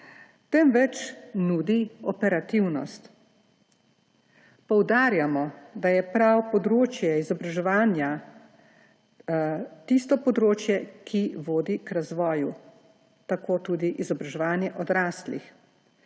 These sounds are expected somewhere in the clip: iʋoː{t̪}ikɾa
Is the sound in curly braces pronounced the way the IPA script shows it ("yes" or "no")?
no